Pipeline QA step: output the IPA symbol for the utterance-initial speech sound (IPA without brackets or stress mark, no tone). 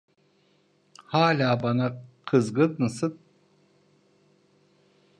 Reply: h